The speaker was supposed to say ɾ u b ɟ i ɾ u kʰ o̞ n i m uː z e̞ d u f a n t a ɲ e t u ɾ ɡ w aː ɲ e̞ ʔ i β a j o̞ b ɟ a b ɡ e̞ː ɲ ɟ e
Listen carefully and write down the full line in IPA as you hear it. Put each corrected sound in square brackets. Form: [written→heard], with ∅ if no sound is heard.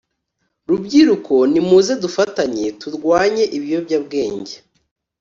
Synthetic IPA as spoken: ɾ u b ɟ i ɾ u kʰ o̞ n i m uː z e̞ d u f a [n→∅] t a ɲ e t u ɾ ɡ w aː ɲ e̞ ʔ i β [a→i] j o̞ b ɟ a b ɡ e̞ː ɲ ɟ e